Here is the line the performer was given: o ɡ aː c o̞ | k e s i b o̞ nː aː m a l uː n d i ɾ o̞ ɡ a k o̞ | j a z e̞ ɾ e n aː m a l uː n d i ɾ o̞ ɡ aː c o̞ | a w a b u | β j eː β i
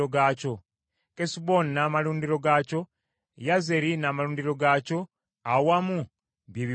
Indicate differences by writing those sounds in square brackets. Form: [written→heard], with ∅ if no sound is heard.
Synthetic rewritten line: o ɡ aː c o̞ | k e s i b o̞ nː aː m a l uː n d i ɾ o̞ ɡ a [k→c] o̞ | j a z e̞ ɾ [e→i] n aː m a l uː n d i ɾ o̞ ɡ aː c o̞ | a w a [b→m] u | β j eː β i